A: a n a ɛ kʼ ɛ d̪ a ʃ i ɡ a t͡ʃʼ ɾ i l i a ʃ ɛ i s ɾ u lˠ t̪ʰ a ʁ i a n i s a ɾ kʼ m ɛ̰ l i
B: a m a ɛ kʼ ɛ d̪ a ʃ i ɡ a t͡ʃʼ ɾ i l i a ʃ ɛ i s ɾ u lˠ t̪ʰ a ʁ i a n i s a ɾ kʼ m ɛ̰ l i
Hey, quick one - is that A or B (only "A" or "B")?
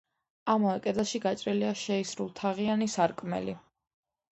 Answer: B